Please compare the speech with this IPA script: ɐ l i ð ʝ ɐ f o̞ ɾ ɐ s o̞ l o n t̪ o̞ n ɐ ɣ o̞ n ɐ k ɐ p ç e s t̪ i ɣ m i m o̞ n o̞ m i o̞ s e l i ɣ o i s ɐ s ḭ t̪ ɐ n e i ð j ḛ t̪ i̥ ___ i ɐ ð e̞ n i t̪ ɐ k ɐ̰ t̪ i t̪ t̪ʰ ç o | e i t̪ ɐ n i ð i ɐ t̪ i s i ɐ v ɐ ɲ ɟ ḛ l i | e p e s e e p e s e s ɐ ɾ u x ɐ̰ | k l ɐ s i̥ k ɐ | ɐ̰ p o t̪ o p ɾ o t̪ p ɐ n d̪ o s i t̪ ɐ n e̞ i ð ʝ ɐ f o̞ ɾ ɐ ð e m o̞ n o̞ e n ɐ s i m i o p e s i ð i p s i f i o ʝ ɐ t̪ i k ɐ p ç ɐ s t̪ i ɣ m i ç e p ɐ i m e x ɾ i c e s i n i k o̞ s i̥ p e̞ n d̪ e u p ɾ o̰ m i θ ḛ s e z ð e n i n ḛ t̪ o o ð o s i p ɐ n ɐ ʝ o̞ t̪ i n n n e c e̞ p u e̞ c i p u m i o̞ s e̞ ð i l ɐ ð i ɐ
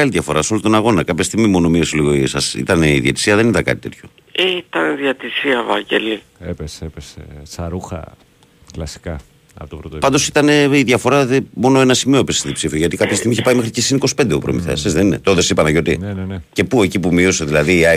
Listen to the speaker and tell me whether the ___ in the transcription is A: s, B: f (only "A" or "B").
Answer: A